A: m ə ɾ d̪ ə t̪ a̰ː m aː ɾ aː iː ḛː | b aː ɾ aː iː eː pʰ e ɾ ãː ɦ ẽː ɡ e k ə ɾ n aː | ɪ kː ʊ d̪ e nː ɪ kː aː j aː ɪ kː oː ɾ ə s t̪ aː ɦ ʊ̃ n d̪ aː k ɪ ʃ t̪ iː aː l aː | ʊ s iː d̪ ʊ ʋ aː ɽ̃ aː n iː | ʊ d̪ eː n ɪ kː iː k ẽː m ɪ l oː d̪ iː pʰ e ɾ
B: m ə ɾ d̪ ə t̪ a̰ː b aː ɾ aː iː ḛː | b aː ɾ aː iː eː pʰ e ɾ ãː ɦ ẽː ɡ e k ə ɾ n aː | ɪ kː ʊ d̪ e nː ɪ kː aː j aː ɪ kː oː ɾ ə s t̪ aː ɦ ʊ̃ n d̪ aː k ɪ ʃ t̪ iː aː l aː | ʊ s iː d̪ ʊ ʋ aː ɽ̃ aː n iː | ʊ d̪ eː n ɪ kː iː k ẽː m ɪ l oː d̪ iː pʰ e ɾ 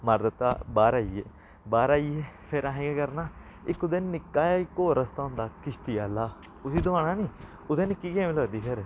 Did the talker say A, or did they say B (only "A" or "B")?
B